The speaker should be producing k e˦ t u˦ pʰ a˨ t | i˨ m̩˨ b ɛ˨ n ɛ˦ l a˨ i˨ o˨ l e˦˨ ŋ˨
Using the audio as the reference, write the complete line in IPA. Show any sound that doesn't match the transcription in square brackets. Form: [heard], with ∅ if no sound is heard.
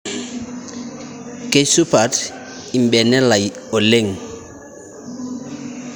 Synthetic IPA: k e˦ [s] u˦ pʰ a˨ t | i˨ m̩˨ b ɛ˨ n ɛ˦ l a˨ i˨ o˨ l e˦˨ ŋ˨